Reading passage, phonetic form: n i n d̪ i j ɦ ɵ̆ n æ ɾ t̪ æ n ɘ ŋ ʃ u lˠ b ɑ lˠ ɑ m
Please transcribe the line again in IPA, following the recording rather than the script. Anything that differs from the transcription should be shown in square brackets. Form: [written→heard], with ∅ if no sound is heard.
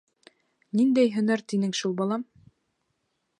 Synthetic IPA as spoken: n i n d̪ [i→æ] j ɦ ɵ̆ n æ ɾ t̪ [æ→i] n ɘ ŋ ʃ u lˠ b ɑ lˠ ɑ m